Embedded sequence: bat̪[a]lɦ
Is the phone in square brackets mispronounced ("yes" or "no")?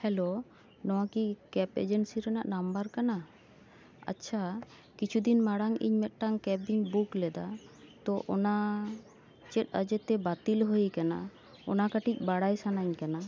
yes